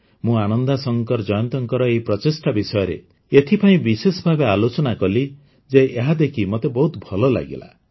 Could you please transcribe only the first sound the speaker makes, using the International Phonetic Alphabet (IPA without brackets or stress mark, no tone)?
m